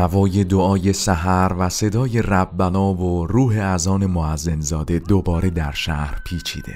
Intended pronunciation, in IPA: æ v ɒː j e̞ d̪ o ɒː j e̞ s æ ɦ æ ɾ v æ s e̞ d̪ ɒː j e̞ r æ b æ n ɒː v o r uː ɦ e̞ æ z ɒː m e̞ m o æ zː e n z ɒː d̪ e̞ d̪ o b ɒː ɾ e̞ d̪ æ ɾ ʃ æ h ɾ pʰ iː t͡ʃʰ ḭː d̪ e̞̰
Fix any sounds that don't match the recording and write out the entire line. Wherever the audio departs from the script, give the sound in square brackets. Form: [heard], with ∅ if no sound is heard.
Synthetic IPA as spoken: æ v ɒː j e̞ d̪ o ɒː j e̞ s æ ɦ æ ɾ v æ s e̞ d̪ ɒː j e̞ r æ [bː] æ n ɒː v o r uː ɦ e̞ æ z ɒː [n] e̞ m o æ zː e n z ɒː d̪ e̞ d̪ o b ɒː ɾ e̞ d̪ æ ɾ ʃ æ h ɾ pʰ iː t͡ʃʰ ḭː d̪ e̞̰